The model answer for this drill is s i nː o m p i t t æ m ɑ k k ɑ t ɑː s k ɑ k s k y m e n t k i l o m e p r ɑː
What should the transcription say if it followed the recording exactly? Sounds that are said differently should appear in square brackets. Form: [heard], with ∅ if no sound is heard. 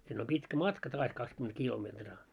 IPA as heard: s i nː o m p i t [k] æ m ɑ [t] k ɑ t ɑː s k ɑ k s k y m e n t k i l o m e [t] r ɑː